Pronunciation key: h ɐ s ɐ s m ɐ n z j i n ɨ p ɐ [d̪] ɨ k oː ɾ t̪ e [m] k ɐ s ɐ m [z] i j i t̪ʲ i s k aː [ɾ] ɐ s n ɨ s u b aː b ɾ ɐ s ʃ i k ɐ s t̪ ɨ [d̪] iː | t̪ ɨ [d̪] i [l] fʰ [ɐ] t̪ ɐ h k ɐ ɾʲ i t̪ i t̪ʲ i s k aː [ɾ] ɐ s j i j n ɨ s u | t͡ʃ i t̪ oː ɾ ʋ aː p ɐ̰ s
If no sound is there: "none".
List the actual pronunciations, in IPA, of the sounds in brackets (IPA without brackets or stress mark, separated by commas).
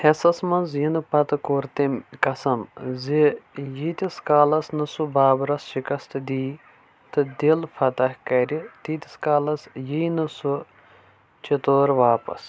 t̪, m, z, l, d̪, d̪, l, ɐ, l